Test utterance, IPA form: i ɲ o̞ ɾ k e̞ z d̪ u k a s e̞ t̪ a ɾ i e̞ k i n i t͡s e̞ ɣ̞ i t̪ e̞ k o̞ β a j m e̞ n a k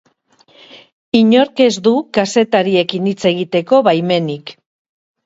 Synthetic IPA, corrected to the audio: i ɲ o̞ ɾ k e̞ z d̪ u k a s e̞ t̪ a ɾ i e̞ k i n i t͡s e̞ ɣ̞ i t̪ e̞ k o̞ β a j m e̞ n i k